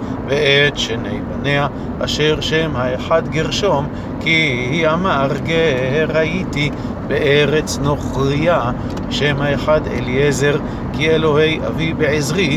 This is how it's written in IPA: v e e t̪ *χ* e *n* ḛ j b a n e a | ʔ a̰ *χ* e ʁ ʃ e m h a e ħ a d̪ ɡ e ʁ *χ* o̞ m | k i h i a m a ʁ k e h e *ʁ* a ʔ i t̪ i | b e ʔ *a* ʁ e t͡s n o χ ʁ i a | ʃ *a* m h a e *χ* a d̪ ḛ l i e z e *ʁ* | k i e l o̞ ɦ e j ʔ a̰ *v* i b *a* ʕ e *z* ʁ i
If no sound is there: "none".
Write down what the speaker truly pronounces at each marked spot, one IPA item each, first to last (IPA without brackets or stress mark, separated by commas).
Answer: ʃ, n, ʃ, ʃ, ʁ, e, e, ħ, ʁ, v, e, z